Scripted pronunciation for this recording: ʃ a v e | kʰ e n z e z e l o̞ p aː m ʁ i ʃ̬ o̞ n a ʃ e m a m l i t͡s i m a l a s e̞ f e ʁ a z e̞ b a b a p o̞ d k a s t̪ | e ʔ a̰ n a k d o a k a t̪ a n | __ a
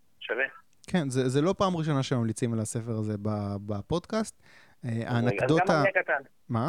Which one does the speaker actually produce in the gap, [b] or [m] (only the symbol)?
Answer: m